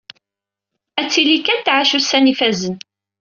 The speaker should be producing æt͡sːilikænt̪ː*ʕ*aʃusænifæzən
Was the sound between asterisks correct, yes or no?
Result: yes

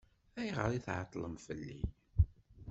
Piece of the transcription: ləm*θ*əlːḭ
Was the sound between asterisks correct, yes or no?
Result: no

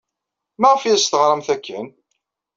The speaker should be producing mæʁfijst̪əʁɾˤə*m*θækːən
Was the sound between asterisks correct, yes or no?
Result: yes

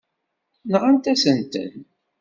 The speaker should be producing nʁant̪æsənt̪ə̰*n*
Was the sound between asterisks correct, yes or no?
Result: yes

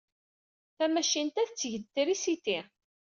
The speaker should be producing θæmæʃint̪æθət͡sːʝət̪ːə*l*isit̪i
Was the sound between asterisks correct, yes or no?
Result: no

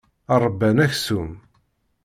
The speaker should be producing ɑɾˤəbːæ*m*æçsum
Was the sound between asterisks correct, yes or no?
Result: no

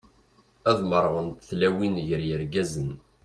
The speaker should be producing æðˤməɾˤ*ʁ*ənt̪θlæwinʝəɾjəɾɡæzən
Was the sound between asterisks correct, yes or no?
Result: yes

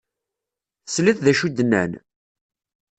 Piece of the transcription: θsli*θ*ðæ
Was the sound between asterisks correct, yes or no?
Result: yes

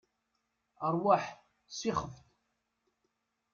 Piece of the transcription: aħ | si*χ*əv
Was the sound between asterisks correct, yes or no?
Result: yes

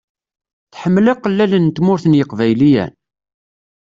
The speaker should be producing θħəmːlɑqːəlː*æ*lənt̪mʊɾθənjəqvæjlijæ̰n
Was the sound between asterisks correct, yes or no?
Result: yes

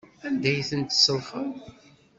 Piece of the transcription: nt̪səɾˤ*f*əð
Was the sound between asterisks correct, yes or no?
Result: yes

